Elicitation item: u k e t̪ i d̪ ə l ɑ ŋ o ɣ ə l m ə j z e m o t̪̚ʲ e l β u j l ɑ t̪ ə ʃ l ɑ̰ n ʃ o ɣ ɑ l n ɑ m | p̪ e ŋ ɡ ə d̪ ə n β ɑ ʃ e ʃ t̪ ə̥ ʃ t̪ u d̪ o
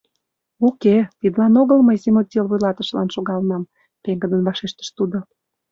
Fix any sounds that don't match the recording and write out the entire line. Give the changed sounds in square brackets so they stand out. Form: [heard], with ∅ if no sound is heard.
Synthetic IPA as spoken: u k e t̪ i d̪ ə l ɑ [n] o ɣ ə l m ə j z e m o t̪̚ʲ e l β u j l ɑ t̪ ə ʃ l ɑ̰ n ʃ o ɣ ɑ l n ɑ m | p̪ e ŋ ɡ ə d̪ ə n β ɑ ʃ e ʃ t̪ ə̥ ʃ t̪ u d̪ o